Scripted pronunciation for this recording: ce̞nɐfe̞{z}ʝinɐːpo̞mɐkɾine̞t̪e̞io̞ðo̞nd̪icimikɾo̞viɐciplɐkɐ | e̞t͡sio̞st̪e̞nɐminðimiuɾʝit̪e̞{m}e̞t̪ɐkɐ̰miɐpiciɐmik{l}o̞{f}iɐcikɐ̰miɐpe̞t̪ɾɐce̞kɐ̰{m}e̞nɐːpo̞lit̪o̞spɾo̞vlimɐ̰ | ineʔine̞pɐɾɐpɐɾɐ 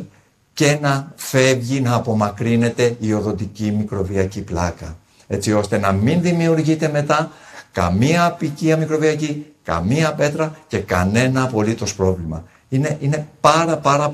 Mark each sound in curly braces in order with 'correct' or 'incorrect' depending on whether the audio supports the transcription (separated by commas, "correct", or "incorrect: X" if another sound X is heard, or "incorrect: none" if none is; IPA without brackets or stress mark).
incorrect: v, correct, incorrect: ɾ, incorrect: v, incorrect: n